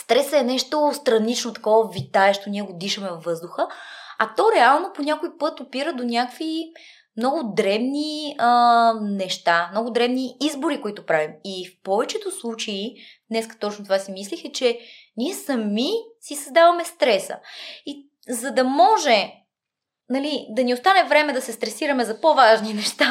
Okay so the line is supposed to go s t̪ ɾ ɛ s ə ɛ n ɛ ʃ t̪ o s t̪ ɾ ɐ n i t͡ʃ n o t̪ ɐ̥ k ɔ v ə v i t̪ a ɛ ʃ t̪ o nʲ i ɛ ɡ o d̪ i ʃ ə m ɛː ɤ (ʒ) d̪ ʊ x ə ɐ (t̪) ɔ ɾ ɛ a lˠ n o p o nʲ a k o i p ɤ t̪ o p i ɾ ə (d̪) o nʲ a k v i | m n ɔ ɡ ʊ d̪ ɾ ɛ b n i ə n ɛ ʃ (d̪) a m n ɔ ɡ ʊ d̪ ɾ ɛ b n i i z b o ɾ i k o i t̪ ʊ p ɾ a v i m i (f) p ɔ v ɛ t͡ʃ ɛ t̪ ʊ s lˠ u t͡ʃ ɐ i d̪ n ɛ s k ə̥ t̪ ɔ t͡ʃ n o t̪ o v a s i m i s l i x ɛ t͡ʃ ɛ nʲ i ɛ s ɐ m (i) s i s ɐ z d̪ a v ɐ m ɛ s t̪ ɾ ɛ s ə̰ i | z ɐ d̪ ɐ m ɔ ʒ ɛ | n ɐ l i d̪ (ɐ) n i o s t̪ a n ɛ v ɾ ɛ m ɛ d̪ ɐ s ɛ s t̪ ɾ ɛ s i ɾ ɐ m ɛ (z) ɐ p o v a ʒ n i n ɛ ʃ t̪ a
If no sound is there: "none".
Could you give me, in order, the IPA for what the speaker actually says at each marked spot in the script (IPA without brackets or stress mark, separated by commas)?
z, t̪, d̪, t̪, f, i, ɐ, z